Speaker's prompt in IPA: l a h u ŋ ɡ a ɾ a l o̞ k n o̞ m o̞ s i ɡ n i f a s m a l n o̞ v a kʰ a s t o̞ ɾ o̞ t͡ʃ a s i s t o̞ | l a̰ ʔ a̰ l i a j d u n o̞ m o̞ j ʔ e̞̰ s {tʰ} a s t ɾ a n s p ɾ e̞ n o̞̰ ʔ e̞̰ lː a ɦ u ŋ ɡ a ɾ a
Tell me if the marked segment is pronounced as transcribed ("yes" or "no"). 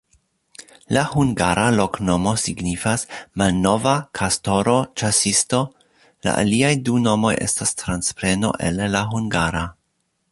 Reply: no